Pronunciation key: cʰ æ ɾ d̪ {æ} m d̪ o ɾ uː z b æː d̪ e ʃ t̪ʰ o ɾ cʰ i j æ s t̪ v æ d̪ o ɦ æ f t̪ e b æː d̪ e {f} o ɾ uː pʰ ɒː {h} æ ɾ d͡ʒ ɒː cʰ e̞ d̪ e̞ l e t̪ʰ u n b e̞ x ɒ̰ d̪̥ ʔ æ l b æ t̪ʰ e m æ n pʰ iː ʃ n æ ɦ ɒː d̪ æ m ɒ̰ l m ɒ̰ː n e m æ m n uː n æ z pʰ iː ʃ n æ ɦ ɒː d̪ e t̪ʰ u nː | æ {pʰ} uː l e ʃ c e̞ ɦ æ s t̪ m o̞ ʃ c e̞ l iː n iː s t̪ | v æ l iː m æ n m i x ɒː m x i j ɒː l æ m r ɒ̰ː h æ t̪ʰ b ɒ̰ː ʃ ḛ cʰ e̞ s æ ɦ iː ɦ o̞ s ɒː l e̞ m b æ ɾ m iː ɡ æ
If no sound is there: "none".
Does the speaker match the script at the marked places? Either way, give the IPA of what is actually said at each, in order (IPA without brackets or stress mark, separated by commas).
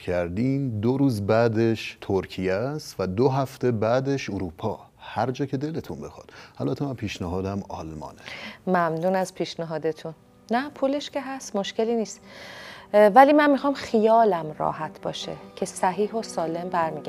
i, ʃ, h, pʰ